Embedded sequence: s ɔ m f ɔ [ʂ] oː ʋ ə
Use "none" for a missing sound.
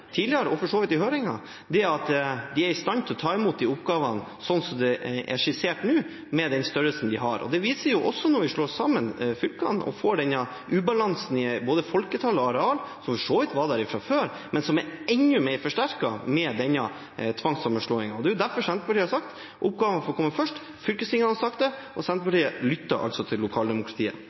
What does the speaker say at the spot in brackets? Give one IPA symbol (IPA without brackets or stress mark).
ʂ